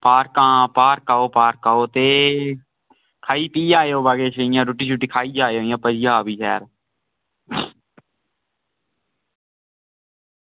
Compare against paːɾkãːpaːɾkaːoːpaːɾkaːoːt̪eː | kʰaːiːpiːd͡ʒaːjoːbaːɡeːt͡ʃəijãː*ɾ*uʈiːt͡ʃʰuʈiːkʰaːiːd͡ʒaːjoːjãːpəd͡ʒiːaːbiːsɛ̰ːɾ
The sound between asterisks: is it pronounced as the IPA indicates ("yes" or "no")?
yes